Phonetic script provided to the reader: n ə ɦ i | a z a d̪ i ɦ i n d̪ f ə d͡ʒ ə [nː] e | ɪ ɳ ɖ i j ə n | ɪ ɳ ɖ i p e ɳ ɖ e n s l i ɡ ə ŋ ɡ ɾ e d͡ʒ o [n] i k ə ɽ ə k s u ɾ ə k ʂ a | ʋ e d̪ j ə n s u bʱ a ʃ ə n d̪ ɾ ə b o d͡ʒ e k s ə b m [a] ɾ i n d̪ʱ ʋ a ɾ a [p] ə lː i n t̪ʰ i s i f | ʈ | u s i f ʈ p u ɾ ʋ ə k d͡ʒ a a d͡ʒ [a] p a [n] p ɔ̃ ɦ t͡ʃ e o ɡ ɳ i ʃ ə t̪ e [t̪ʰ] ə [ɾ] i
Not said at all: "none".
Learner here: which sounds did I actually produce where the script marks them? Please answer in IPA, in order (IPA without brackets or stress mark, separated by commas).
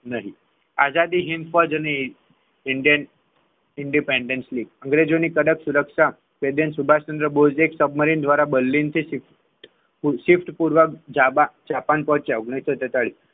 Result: n, n, ə, b, a, n, t̪, ɭ